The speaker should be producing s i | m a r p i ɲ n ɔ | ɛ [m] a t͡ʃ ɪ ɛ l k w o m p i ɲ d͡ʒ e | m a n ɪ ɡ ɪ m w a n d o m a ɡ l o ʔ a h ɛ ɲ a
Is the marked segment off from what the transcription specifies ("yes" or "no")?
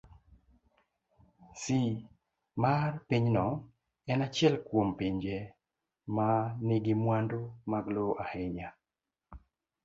yes